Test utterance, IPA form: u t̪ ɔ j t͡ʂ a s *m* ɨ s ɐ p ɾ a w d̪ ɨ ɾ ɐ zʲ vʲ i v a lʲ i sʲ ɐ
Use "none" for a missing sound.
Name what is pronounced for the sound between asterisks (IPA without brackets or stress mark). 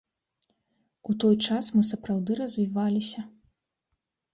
m